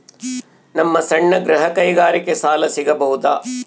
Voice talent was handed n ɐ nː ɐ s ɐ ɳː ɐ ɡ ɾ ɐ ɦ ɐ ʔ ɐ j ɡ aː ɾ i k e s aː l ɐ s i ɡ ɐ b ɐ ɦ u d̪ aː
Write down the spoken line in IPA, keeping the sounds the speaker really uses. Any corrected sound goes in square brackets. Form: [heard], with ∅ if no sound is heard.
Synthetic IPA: n ɐ [mː] ɐ s ɐ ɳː ɐ ɡ ɾ ɐ ɦ ɐ [k] ɐ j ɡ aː ɾ i k e s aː l ɐ s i ɡ ɐ b ɐ ɦ u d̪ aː